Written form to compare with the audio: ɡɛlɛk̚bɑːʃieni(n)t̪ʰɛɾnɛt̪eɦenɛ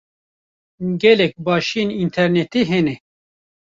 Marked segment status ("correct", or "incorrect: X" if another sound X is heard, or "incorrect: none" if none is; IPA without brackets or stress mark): correct